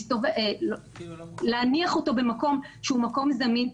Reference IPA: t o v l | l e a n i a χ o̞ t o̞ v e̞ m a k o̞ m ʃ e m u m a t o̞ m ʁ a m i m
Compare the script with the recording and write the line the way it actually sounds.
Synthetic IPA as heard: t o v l | l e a n i a χ o̞ t o̞ b e̞ m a k o̞ m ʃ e u m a k o̞ m z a m i n

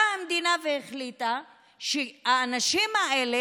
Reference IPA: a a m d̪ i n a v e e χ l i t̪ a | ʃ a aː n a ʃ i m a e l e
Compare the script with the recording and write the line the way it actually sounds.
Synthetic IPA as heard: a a m d̪ i n a v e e χ l i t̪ a | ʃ e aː n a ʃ i m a e l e

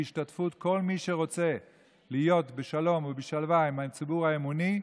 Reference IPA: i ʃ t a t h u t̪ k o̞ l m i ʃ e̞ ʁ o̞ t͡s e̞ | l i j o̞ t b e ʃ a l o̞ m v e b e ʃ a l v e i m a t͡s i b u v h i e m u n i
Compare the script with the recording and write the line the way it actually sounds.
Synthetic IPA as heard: i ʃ t a t f u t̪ k o̞ l m i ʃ e̞ ʁ o̞ t͡s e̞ | l i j o̞ t b e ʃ a l o̞ m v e b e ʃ a l v a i m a t͡s i b u ʁ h a e m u n i

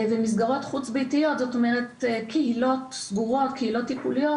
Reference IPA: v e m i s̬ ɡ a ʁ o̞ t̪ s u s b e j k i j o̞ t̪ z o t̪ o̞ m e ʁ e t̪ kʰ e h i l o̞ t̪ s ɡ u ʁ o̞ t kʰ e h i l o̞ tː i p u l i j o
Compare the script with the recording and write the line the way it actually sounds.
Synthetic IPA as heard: v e m i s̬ ɡ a ʁ o̞ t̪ χ u t͡s b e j t i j o̞ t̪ z o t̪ o̞ m e ʁ e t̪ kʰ e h i l o̞ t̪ s ɡ u ʁ o̞ t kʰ e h i l o̞ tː i p u l i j o

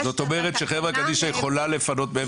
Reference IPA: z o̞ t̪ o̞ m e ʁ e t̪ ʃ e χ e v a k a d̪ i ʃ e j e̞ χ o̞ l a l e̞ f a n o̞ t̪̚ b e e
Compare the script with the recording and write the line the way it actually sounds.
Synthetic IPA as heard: z o̞ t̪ o̞ m e ʁ e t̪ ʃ e χ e v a k a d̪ i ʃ a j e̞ χ o̞ l a l e̞ f a n o̞ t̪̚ b e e

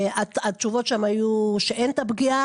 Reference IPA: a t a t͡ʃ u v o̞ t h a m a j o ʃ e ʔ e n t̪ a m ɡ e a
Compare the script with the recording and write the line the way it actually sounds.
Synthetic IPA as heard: a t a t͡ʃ u v o̞ t ʃ a m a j u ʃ e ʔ e n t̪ a b ɡ i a

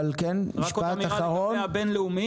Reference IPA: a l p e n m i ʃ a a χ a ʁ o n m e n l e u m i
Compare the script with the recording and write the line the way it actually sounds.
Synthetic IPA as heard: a l k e n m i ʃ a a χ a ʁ o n b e n l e u m i

